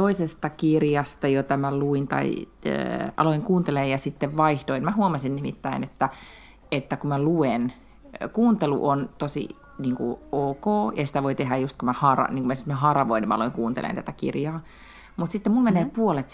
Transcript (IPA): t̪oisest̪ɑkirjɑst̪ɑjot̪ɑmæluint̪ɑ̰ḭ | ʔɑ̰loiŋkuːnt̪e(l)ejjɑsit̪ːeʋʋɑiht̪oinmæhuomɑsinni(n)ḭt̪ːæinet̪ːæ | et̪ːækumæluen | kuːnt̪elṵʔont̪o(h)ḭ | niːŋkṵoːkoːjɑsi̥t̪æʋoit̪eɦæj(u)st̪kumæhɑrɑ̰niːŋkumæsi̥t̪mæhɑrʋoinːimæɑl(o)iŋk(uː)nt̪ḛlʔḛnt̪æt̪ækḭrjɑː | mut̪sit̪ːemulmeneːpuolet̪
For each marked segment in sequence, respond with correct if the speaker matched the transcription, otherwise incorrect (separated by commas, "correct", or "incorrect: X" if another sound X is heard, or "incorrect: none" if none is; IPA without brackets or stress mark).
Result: correct, incorrect: m, incorrect: s, correct, correct, correct